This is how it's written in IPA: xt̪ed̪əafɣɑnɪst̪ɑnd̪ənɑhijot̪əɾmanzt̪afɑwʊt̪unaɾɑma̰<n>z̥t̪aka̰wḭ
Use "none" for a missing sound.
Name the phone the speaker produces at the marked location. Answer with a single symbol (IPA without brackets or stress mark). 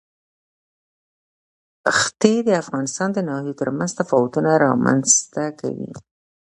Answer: n